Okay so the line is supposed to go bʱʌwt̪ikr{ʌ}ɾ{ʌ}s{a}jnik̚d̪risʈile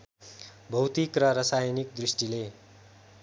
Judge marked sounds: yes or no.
yes, yes, yes

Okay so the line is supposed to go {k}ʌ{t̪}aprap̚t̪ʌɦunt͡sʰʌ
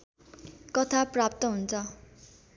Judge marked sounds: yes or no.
yes, no

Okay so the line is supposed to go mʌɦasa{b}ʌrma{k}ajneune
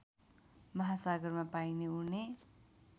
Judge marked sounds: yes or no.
no, no

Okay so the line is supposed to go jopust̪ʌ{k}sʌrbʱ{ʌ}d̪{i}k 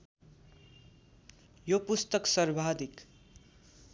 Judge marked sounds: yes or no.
yes, no, yes

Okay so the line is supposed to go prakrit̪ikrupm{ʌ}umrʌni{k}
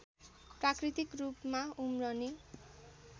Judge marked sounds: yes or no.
no, no

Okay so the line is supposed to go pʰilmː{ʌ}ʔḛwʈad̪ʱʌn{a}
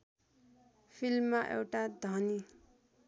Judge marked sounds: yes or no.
no, no

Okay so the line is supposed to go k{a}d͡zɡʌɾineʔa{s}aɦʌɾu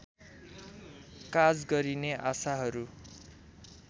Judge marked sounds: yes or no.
yes, yes

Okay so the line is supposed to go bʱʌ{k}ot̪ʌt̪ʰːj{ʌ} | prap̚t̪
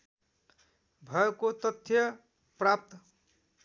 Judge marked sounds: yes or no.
yes, yes

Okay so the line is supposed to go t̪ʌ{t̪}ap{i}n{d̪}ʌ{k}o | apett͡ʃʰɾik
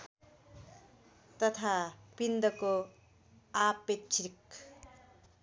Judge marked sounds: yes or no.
no, yes, yes, yes

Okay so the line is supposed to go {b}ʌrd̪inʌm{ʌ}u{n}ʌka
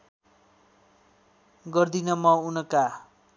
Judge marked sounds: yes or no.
no, yes, yes

